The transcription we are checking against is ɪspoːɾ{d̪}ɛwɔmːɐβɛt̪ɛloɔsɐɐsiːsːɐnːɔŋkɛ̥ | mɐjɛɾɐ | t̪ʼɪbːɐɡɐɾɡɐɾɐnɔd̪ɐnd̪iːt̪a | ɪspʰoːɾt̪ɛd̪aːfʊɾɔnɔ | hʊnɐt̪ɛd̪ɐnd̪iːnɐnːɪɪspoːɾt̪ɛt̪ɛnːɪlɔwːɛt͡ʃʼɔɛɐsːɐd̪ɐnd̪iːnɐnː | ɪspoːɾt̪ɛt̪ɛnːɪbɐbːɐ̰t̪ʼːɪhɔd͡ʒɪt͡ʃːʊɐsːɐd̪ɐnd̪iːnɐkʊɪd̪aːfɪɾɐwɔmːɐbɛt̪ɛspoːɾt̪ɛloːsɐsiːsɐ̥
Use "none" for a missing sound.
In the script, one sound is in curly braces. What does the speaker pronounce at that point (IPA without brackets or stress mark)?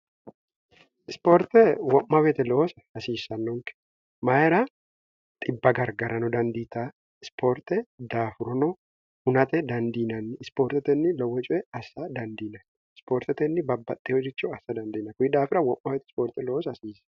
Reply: t̪